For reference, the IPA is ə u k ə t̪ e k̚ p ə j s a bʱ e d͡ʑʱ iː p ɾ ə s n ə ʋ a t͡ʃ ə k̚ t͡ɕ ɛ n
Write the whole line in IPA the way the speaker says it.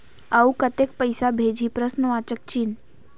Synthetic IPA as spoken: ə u k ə t̪ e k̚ p ə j s a bʱ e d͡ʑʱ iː p ɾ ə s n ə ʋ a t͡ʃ ə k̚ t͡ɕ i n